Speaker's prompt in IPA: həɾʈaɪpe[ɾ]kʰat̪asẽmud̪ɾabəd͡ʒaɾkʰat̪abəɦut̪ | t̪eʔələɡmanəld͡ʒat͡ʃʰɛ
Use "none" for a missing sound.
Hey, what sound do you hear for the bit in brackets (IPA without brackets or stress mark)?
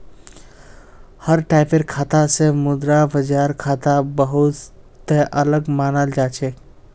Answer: ɾ